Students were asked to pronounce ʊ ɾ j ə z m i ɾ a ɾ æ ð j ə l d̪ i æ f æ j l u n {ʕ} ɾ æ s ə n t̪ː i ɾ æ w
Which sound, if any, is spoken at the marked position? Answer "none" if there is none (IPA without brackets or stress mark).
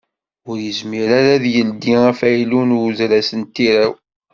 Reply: z